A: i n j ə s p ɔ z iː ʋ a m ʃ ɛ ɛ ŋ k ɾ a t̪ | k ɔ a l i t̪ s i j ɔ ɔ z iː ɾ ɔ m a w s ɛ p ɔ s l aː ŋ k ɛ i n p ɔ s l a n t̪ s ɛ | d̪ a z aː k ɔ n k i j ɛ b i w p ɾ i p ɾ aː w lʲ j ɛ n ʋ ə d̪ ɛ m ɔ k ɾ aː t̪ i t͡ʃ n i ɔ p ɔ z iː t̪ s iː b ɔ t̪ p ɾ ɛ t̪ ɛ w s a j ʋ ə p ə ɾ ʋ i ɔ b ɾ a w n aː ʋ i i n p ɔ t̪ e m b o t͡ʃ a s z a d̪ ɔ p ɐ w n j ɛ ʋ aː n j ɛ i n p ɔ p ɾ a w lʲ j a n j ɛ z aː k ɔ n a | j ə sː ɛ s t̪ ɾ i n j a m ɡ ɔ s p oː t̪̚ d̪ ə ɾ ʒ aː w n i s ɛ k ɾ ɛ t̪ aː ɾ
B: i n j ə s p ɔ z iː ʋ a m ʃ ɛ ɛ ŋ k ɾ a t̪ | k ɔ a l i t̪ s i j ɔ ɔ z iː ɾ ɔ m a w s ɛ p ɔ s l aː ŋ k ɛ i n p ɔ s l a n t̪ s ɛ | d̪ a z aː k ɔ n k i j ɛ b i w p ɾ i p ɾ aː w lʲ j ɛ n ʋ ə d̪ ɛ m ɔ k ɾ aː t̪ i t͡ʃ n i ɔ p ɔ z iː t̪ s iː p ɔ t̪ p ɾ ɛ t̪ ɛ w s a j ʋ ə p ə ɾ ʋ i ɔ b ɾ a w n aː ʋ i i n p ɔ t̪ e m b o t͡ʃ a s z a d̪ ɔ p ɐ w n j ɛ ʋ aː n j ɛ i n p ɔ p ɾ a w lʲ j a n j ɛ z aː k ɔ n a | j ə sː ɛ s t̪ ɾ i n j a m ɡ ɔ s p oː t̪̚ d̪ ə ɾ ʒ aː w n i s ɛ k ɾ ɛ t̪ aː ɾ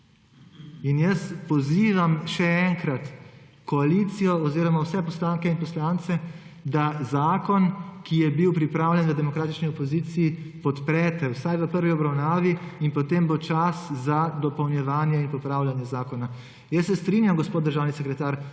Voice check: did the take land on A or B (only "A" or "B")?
B